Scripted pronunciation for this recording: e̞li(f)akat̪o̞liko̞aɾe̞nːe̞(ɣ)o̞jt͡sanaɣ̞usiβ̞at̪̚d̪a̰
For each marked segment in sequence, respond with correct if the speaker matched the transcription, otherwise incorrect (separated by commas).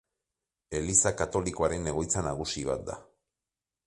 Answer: incorrect, correct